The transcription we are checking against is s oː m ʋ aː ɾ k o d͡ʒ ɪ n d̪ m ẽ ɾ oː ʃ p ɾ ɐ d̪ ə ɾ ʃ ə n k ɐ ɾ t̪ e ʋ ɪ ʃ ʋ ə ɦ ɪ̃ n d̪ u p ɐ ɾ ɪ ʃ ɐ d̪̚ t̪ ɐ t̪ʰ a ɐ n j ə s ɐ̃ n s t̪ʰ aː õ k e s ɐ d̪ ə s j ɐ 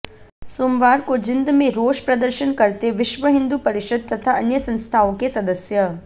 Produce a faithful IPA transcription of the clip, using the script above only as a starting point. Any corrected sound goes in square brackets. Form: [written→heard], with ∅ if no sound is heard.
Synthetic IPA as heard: s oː m ʋ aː ɾ k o d͡ʒ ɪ n d̪ m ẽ ɾ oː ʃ p ɾ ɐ d̪ ə ɾ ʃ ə n k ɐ ɾ t̪ e ʋ ɪ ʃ ʋ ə ɦ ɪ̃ n d̪ u p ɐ ɾ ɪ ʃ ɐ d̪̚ t̪ ɐ t̪ʰ a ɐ n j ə s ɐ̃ n s t̪ʰ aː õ k e s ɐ d̪ ə s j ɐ

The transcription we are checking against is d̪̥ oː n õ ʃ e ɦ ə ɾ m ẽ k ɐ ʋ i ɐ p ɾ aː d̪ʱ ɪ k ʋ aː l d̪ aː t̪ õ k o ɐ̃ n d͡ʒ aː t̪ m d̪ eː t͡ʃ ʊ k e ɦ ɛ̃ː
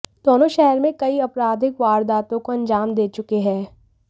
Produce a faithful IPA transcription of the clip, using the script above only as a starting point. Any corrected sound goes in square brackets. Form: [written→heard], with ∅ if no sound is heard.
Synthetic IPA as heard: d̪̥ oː n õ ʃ [e→ɛ] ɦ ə ɾ m ẽ k ɐ [ʋ→∅] i ɐ p ɾ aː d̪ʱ ɪ k ʋ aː [l→ɾ] d̪ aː t̪ õ k o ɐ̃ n d͡ʒ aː [t̪→∅] m d̪ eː t͡ʃ ʊ k e ɦ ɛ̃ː

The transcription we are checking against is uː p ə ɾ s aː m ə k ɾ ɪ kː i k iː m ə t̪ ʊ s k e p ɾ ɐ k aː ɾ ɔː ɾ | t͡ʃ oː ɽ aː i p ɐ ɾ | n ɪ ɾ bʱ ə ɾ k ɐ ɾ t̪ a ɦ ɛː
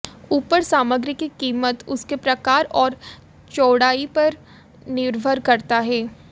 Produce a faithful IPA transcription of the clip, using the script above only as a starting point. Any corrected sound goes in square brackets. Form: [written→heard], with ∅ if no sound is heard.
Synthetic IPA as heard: uː p ə ɾ s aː m ə [k→ɡ] ɾ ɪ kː i k iː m ə t̪ ʊ s k e p ɾ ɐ k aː ɾ ɔː ɾ | t͡ʃ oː ɽ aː i p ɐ ɾ | n ɪ ɾ bʱ ə ɾ k ɐ ɾ t̪ a ɦ ɛː

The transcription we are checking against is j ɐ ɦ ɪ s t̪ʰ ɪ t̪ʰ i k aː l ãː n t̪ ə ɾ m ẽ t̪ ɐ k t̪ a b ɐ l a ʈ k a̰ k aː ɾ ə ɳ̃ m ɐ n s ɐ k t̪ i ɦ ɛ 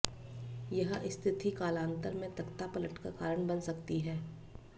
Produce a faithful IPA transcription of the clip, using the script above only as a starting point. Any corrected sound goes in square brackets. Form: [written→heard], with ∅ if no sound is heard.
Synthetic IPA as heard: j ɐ ɦ ɪ s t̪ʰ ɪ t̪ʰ i k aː l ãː n t̪ ə ɾ m ẽ t̪ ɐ k t̪ a [b→p] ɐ l [a→ə] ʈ k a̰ k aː ɾ ə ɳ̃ [m→b] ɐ n s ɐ k t̪ i ɦ [ɛ→ɛː]

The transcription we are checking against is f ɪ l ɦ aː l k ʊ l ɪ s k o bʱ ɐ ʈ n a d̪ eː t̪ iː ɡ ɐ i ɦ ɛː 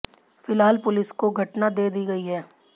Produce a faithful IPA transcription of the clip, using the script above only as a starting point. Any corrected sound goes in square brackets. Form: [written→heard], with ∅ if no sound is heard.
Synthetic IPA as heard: f ɪ l ɦ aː l [k→p] ʊ l ɪ s k o [bʱ→ɡʱ] ɐ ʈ n a d̪ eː [t̪→d̪] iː ɡ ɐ i ɦ ɛː

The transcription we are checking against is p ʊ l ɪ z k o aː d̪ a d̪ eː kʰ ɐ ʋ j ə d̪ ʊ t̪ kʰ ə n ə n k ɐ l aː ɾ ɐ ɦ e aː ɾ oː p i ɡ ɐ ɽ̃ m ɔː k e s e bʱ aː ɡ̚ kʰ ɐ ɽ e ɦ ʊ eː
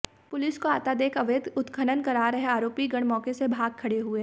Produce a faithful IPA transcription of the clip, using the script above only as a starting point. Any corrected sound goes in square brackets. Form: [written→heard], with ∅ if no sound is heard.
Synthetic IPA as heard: p ʊ l ɪ [z→s] k o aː [d̪→t̪] a d̪ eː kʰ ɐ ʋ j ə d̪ ʊ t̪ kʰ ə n ə n k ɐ [l→ɾ] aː ɾ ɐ ɦ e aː ɾ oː p i ɡ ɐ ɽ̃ m ɔː k e s e bʱ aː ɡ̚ kʰ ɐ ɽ e ɦ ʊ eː

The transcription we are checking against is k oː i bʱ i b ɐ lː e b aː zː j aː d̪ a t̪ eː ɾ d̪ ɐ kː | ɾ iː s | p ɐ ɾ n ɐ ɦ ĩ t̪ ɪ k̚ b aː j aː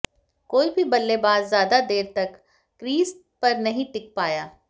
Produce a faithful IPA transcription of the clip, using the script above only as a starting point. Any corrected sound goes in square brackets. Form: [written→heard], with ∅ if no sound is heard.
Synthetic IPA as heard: k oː i bʱ i b ɐ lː e b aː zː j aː d̪ a [t̪→d̪] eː ɾ [d̪→t̪] ɐ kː | ɾ iː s | p ɐ ɾ n ɐ ɦ ĩ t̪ ɪ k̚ [b→p] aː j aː

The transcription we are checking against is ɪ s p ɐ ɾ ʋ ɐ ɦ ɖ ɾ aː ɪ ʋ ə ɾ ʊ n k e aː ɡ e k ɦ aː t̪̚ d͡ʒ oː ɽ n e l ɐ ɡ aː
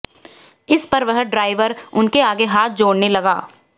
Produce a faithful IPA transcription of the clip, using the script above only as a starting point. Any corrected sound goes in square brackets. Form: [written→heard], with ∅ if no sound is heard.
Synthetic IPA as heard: ɪ s p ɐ ɾ ʋ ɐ ɦ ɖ ɾ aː ɪ ʋ ə ɾ ʊ n k e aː ɡ e [k→∅] ɦ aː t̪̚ d͡ʒ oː ɽ n e l ɐ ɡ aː

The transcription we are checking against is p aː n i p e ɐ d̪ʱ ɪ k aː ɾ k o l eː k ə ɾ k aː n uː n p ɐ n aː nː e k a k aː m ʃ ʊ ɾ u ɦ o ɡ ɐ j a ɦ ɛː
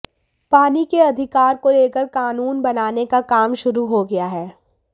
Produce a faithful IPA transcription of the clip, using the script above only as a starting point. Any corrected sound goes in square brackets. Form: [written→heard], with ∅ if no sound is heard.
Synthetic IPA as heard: p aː n i [p→k] e ɐ d̪ʱ ɪ k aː ɾ k o l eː k ə ɾ k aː n uː n [p→b] ɐ n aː [nː→n] e k a k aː m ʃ ʊ ɾ u ɦ o ɡ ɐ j a ɦ ɛː

